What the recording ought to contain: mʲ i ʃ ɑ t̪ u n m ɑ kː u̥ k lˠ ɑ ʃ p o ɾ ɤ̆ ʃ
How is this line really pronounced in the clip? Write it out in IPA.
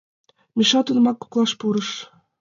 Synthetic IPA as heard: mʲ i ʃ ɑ t̪ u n m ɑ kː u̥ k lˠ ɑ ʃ p u ɾ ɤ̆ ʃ